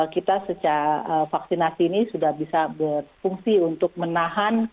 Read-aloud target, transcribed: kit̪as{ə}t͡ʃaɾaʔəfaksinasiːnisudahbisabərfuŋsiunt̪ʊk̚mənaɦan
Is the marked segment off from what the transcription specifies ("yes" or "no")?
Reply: no